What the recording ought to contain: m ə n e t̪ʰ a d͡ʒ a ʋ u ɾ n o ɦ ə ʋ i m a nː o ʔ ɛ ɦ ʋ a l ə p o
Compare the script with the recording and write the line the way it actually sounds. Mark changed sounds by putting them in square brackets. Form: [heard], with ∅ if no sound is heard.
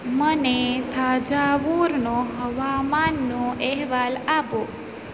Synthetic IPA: m ə n e t̪ʰ a d͡ʒ a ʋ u ɾ n o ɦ ə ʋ [a] m a nː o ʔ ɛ ɦ ʋ a l [a] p o